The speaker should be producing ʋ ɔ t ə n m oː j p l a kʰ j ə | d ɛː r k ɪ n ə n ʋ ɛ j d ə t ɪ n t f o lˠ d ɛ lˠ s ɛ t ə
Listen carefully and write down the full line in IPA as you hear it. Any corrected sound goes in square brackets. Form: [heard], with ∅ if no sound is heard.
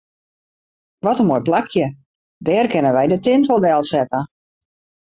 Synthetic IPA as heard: ʋ ɔ t ə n m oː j p l a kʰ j ə | d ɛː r k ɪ n ə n ʋ ɛ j d ə t ɪ n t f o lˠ d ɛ lˠ s ɛ t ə